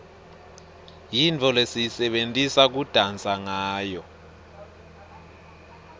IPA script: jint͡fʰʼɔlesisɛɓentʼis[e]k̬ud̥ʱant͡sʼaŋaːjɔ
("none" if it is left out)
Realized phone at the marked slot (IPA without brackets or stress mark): a